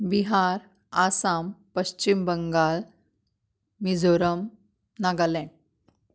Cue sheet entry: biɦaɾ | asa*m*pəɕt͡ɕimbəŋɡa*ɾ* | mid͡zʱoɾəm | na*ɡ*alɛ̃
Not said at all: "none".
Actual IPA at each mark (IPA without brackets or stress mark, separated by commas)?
m, l, ɡ